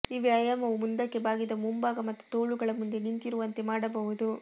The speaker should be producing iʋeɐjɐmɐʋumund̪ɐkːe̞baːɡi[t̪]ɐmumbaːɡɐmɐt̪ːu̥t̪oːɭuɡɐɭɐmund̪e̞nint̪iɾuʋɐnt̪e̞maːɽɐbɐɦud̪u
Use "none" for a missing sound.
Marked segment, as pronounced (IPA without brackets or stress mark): d̪